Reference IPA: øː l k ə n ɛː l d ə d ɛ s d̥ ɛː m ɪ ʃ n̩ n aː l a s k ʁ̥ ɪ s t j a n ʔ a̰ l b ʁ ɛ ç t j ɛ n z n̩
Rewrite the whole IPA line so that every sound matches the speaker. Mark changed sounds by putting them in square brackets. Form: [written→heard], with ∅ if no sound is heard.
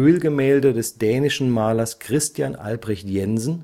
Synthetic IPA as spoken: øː l [k→ɡ] ə [n→m] ɛː l d ə d ɛ s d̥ ɛː [m→n] ɪ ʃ n̩ [n→m] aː l [a→ɐ] s k ʁ̥ ɪ s t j a n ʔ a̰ l b ʁ ɛ ç t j ɛ n z n̩